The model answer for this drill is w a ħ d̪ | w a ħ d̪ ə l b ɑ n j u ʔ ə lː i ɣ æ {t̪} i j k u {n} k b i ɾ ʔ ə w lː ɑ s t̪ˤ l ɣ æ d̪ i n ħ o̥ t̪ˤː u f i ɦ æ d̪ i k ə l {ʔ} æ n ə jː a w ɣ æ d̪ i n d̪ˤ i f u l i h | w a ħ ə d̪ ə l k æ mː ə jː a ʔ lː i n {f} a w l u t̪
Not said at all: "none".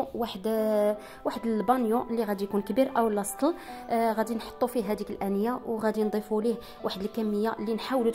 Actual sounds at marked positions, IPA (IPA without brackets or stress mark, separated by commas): d̪, n, ʔ, ħ